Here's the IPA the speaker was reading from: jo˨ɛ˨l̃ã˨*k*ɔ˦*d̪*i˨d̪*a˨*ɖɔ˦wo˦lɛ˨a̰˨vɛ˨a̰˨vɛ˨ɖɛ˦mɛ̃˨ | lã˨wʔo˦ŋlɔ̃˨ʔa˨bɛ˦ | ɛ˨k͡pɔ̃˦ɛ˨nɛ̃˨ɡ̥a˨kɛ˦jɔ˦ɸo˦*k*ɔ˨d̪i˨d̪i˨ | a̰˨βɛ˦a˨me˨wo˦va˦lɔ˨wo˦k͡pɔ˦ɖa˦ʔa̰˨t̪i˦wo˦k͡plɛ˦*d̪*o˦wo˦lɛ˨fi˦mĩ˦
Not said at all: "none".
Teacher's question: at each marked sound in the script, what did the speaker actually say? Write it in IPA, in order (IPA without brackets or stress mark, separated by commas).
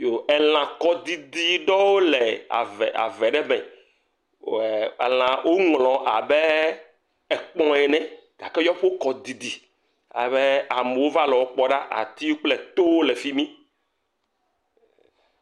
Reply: k, d̪, i˨, k, t̪